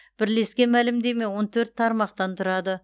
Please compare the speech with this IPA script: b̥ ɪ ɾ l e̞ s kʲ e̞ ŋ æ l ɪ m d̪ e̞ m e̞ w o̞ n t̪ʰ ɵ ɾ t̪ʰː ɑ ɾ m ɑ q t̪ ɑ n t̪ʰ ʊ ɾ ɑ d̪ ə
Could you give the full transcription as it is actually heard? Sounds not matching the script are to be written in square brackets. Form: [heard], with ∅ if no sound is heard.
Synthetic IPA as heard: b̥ ɪ ɾ l e̞ s kʲ e̞ [m] æ l ɪ m d̪ e̞ m e̞ w o̞ n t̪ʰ ɵ ɾ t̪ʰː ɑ ɾ m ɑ q t̪ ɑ n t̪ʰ ʊ ɾ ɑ d̪ ə